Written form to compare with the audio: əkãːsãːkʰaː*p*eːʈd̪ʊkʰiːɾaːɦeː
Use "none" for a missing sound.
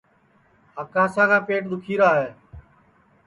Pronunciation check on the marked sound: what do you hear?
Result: p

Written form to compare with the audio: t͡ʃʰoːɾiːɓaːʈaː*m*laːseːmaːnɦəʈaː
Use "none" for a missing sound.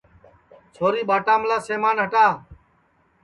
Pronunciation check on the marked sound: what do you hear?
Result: m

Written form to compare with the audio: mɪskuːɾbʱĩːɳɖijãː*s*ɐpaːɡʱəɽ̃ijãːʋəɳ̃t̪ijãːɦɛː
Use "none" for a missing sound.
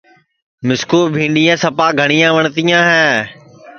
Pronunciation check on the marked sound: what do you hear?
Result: s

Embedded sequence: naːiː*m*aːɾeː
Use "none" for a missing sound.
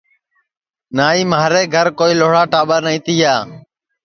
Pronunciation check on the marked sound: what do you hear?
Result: m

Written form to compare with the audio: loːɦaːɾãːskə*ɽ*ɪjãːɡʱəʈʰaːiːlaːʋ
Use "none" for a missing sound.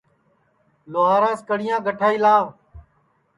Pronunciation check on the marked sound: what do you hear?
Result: ɽ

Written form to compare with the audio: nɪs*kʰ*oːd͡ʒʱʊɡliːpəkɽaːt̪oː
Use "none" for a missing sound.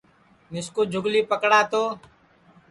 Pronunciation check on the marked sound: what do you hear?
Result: k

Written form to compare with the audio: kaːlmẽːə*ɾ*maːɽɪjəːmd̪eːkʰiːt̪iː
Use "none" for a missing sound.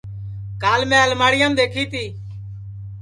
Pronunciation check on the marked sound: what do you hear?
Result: l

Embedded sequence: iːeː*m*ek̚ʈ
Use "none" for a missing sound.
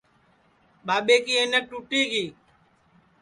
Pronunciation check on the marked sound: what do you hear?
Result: n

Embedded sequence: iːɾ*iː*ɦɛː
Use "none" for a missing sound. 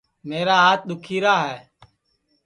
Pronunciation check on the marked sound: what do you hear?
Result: aː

